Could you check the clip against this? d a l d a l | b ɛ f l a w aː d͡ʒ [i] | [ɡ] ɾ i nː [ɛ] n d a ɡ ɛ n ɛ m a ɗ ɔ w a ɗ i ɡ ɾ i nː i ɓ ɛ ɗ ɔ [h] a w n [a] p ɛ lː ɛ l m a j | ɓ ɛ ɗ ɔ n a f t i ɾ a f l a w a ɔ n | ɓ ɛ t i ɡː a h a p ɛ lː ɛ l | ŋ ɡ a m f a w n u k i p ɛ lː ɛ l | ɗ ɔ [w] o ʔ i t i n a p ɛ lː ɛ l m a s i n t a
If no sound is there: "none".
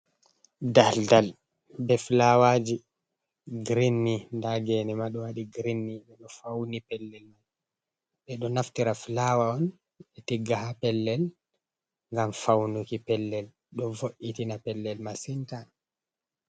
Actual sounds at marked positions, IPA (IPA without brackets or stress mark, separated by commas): i, ɡ, i, f, i, v